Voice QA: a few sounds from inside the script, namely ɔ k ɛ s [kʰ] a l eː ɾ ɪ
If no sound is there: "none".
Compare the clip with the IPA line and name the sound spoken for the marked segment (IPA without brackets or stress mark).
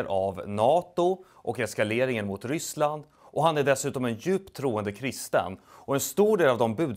k